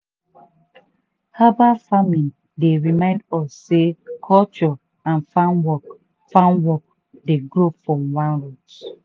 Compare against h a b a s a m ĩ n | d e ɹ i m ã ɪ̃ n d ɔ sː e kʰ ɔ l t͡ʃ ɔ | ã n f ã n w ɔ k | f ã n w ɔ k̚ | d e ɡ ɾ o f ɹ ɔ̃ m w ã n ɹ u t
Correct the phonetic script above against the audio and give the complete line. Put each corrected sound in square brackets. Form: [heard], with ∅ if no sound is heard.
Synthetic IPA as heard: h a b a [f] a m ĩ n | d e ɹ i m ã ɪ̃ n d ɔ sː e kʰ ɔ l t͡ʃ ɔ | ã n f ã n w ɔ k | f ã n w ɔ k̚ | d e ɡ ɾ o f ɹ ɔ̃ m w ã n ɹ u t